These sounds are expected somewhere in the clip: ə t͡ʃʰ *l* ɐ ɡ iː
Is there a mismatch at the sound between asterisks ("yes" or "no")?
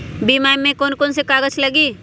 no